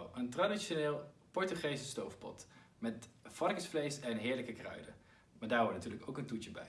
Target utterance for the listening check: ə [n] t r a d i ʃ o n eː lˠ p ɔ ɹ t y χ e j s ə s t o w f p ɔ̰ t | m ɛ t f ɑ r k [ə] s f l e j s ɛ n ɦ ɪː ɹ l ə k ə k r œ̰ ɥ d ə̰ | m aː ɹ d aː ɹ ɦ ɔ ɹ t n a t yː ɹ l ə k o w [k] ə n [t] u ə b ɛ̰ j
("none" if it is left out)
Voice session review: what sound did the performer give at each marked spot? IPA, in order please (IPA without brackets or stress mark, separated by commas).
n, ə, k, t